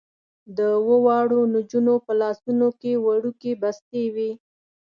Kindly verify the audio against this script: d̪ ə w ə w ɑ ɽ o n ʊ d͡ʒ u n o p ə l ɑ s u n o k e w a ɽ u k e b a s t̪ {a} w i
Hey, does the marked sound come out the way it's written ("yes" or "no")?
no